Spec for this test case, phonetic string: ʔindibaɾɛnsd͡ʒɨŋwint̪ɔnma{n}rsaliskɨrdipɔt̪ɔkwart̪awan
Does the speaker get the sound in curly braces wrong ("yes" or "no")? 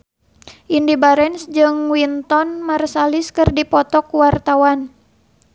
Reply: yes